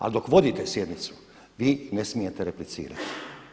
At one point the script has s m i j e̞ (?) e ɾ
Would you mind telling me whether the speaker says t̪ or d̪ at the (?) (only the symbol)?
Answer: t̪